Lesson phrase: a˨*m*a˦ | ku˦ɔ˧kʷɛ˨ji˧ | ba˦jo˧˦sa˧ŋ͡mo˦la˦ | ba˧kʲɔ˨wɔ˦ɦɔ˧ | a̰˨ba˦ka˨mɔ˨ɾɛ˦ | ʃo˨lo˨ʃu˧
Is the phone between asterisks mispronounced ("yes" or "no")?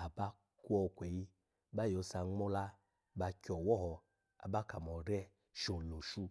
yes